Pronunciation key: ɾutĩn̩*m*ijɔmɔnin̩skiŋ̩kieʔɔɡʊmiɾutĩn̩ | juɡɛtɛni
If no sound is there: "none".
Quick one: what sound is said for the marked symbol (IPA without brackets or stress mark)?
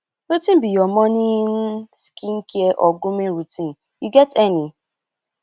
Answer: b